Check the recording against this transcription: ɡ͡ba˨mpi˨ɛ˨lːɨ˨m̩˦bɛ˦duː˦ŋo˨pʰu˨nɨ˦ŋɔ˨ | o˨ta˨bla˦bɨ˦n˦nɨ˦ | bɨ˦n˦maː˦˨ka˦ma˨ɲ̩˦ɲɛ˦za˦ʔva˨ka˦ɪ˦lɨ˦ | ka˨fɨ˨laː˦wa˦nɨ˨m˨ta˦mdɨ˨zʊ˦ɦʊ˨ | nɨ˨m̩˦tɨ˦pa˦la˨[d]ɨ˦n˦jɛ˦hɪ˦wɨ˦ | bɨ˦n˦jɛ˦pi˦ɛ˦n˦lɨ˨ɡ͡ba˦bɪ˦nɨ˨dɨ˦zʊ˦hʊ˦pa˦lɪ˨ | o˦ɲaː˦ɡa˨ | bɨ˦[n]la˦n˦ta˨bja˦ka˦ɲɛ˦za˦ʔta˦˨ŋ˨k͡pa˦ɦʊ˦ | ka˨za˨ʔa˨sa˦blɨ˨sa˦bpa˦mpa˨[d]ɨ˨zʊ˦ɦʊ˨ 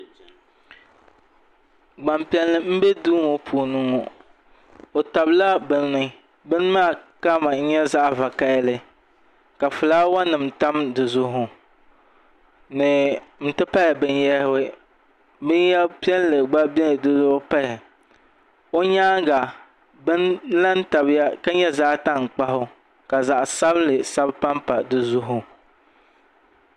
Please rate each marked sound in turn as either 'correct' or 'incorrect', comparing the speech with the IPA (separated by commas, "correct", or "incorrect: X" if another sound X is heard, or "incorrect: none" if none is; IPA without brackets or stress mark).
incorrect: b, correct, correct